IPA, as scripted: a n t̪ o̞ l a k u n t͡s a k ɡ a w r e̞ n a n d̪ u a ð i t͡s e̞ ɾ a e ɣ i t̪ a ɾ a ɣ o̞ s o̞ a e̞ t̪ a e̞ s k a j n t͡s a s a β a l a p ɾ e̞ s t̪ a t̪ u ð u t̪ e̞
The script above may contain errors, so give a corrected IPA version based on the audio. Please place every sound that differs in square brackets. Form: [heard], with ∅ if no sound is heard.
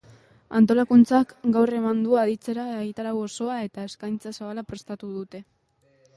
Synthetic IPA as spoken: a n t̪ o̞ l a k u n t͡s a k ɡ a w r e̞ [m] a n d̪ u a ð i t͡s e̞ ɾ a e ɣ i t̪ a ɾ a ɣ o̞ s o̞ a e̞ t̪ a e̞ s k a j n t͡s a s a β a l a p ɾ e̞ s t̪ a t̪ u ð u t̪ e̞

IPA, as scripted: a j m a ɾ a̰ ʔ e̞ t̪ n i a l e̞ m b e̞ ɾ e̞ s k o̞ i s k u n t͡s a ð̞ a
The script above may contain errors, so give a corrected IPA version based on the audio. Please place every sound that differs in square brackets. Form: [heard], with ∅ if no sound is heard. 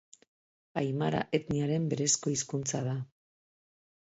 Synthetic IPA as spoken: a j m a ɾ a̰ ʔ e̞ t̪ n i a [ɾ] e̞ m b e̞ ɾ e̞ s k o̞ i s k u n t͡s a ð̞ a

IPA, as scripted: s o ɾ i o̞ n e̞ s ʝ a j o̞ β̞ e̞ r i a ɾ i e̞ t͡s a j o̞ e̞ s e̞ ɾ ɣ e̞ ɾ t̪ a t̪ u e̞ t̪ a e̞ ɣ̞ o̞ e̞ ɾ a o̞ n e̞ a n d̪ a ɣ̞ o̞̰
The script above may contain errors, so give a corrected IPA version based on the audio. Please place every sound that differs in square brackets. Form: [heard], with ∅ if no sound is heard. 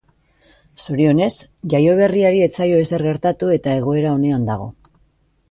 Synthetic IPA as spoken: s o ɾ i o̞ n e̞ s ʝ a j o̞ β̞ e̞ r i a ɾ i e̞ t͡s a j o̞ e̞ s e̞ ɾ ɣ e̞ ɾ t̪ a t̪ u e̞ t̪ a e̞ ɣ̞ o̞ e̞ ɾ a o̞ n e̞ a n d̪ a ɣ̞ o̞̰

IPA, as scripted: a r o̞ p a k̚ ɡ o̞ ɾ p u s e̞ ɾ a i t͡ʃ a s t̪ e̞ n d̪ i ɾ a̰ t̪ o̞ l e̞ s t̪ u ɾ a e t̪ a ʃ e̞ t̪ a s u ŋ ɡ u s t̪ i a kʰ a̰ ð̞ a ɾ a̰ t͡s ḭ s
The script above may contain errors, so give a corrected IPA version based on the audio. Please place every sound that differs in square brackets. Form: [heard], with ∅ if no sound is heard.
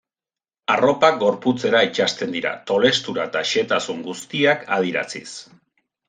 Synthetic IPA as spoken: a r o̞ p a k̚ ɡ o̞ ɾ p u [t͡s] e̞ ɾ a i t͡ʃ a s t̪ e̞ n d̪ i ɾ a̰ t̪ o̞ l e̞ s t̪ u ɾ a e t̪ a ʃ e̞ t̪ a s u ŋ ɡ u s t̪ i a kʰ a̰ ð̞ [i] ɾ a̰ t͡s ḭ s

